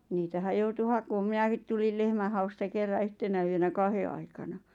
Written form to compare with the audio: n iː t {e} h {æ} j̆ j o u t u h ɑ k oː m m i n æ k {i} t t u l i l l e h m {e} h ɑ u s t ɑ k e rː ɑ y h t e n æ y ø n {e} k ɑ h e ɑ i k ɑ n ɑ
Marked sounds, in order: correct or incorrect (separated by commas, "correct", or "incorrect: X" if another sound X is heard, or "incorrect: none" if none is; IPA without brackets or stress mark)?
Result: incorrect: æ, correct, correct, incorrect: æ, incorrect: æ